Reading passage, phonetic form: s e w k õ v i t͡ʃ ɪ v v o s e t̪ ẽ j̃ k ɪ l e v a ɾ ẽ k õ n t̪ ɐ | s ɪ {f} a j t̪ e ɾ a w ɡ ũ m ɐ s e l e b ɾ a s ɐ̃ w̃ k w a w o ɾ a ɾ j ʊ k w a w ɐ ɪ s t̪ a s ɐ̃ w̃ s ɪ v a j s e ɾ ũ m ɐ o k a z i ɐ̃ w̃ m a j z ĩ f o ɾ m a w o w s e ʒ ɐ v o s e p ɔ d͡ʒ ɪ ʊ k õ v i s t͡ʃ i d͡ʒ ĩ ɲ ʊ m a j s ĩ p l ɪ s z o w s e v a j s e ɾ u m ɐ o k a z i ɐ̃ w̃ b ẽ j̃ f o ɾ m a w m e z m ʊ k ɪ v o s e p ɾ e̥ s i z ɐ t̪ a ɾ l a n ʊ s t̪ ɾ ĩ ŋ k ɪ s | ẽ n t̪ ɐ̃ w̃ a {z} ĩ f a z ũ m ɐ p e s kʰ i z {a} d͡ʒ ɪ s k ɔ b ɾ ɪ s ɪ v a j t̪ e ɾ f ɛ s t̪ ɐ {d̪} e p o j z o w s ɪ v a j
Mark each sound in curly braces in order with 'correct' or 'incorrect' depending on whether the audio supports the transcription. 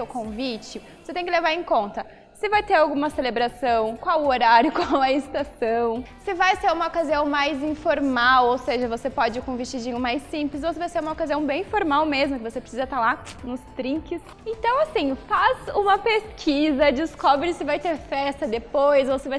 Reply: incorrect: v, incorrect: s, incorrect: ɐ, correct

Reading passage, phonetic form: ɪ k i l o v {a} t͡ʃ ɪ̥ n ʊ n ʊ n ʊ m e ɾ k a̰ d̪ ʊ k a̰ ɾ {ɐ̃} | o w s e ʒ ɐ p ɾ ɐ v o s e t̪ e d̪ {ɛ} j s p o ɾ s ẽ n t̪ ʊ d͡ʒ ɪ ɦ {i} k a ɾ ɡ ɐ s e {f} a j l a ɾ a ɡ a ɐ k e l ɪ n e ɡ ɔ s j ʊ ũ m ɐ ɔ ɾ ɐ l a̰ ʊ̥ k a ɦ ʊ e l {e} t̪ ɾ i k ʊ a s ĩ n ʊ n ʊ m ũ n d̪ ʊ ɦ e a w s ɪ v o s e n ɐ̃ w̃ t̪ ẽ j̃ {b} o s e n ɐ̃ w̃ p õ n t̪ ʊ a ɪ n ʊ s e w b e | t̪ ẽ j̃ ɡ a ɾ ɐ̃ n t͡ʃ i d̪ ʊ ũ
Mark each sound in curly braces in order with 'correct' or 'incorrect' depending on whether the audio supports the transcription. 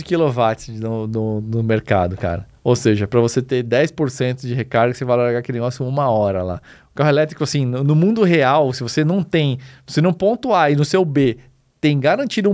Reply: correct, incorrect: ɐ, correct, incorrect: e, incorrect: v, incorrect: ɛ, incorrect: v

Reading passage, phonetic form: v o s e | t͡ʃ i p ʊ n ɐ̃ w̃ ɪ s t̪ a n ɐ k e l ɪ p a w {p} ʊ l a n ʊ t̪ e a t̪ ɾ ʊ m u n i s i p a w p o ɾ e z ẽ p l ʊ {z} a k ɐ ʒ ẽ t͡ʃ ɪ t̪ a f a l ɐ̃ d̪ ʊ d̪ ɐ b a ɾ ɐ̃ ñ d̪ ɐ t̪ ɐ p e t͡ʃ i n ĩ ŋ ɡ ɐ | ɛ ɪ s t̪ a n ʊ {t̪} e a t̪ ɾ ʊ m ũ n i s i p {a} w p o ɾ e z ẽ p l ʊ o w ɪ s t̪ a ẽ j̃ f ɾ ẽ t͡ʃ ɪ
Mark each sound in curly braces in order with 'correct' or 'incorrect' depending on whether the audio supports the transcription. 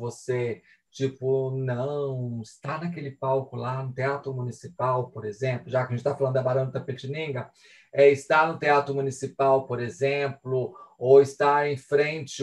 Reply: incorrect: k, incorrect: ʒ, correct, correct

